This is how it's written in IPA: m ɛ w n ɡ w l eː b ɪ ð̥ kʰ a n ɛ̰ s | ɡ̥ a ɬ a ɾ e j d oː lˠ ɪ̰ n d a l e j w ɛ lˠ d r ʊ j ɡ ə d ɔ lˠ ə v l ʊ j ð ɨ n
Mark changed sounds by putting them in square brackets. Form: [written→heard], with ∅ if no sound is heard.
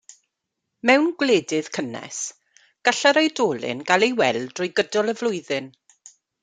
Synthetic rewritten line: m ɛ w n ɡ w l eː [b→d] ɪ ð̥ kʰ [a→ə] n ɛ̰ s | ɡ̥ a ɬ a ɾ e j d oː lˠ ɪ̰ n [d→ɡ] a l e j w ɛ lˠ d r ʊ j ɡ ə d ɔ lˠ ə v l ʊ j ð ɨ n